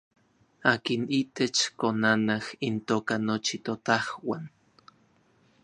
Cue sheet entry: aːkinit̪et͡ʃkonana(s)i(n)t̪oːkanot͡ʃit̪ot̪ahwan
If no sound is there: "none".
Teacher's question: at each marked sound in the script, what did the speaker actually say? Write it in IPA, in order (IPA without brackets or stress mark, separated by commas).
h, n